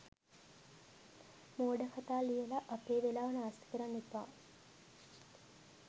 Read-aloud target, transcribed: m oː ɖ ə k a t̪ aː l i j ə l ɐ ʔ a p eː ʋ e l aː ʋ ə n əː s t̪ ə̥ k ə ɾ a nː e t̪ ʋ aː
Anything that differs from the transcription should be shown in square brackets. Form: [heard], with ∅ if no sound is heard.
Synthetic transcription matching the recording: m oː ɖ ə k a t̪ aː l i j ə l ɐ ʔ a p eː ʋ e l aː ʋ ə n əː s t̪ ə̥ k ə ɾ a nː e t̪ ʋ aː